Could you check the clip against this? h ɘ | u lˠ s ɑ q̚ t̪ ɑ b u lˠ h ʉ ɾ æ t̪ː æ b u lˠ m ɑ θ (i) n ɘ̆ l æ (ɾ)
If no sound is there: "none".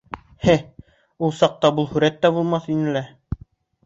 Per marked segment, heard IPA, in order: i, none

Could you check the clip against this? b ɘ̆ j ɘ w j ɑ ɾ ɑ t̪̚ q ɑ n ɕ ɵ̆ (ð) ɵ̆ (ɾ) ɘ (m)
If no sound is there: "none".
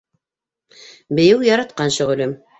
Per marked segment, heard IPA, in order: ʁ, l, m

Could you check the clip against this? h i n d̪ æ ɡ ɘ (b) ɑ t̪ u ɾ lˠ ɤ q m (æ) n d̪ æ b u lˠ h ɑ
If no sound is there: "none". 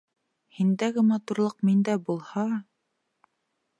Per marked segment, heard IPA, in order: m, i

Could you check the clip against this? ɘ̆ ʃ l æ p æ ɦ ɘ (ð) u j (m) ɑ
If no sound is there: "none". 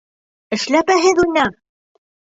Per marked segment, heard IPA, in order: ð, n

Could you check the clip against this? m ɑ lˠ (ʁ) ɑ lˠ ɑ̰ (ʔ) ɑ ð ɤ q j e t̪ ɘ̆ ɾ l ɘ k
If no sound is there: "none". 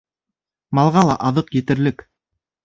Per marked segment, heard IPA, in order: ʁ, ʔ

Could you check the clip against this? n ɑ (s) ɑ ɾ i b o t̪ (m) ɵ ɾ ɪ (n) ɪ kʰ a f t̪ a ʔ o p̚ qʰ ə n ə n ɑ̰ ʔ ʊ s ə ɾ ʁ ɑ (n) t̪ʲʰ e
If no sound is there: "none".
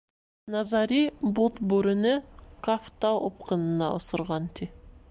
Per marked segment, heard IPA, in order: z, b, n, n

